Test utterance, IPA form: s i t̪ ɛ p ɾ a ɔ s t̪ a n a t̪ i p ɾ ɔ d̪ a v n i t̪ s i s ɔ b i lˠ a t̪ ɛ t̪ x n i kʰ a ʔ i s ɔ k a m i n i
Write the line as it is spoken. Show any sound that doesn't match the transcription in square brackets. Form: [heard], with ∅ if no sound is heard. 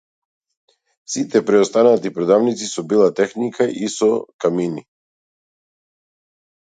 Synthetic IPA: s i t̪ ɛ p ɾ [ɛ] ɔ s t̪ a n a t̪ i p ɾ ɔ d̪ a v n i t̪ s i s ɔ b i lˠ a t̪ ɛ [∅] x n i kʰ a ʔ i s ɔ k a m i n i